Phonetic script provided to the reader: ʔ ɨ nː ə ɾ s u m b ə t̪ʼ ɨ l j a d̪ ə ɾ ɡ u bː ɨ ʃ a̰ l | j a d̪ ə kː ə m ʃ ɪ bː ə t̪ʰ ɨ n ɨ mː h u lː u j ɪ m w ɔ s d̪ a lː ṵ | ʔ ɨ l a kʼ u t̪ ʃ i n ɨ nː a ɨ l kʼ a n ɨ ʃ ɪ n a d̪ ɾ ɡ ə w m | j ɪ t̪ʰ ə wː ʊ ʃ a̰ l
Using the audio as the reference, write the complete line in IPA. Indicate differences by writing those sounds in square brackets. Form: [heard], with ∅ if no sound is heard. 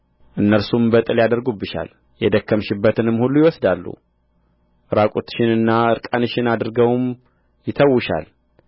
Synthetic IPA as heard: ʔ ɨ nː ə ɾ s u m b ə t̪ʼ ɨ l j a d̪ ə ɾ ɡ u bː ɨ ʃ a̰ l | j [ɛ] d̪ ə kː ə m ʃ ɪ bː ə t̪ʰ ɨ n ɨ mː h u lː u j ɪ [∅] w ɔ s d̪ a lː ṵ | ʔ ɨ [ɾ] a kʼ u t̪ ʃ [ɪ] n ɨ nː a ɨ [ɾ] kʼ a n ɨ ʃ ɪ n a d̪ ɾ ɡ ə w m | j ɪ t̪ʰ ə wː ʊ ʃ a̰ l